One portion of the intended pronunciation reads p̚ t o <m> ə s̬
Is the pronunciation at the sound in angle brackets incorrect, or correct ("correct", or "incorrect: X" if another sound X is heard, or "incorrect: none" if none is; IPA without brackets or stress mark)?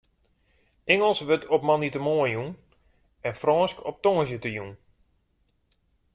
incorrect: ŋ